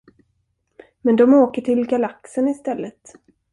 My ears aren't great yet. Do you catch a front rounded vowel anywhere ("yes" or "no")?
no